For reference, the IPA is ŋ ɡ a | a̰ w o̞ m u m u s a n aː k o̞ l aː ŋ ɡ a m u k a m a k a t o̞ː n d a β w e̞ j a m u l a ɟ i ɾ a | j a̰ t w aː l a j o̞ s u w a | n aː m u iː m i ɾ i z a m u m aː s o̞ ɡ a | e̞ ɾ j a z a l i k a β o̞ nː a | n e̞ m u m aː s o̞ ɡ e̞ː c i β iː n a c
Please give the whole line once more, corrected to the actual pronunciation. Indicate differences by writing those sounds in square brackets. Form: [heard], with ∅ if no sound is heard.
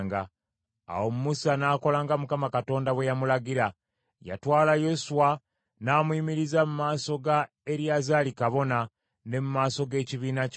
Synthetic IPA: ŋ ɡ a | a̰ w o̞ m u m u s a n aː k o̞ l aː ŋ ɡ a m u k a m a k a t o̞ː n d a β w e̞ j a m u l a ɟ i ɾ a | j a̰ t w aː l a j o̞ s u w a | n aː m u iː m i ɾ i z a m u m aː s o̞ ɡ a | e̞ ɾ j a z a l i k a β o̞ [n] a | n e̞ m u m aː s o̞ ɡ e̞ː c i β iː n a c